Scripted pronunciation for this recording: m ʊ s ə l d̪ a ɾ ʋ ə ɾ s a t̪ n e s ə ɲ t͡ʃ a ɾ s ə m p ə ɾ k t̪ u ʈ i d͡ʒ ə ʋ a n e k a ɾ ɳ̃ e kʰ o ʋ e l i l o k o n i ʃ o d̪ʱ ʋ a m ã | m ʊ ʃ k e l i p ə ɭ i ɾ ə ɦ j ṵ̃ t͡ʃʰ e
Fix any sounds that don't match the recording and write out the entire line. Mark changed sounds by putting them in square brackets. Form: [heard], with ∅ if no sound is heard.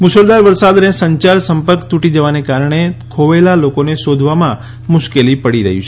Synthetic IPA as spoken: m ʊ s ə l d̪ a ɾ ʋ ə ɾ s a [d̪] n e s ə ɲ t͡ʃ a ɾ s ə m p ə ɾ k t̪ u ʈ i d͡ʒ ə ʋ a n e k a ɾ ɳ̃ e kʰ o ʋ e l [a] l o k o n [e] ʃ o d̪ʱ ʋ a m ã | m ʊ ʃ k e l i p ə [ɽ] i ɾ ə ɦ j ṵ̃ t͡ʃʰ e